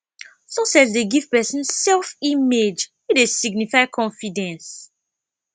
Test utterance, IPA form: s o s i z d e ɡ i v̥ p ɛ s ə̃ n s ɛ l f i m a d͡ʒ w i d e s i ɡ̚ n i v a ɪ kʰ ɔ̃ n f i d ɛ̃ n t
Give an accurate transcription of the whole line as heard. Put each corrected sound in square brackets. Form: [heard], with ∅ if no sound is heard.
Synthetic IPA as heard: s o s [ɛ] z d e ɡ i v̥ p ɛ s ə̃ n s ɛ l f i m [e] d͡ʒ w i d e s i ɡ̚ n i [f] a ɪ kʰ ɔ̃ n f i d ɛ̃ n [s]